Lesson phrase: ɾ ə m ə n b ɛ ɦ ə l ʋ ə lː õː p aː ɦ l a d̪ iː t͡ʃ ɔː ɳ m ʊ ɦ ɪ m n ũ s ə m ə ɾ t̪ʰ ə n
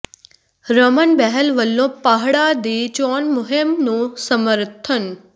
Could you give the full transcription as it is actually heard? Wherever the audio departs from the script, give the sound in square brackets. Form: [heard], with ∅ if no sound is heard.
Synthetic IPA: ɾ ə m ə n b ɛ ɦ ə l ʋ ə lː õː p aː ɦ [ɽ] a d̪ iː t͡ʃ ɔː [n] m ʊ ɦ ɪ m n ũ s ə m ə ɾ t̪ʰ ə n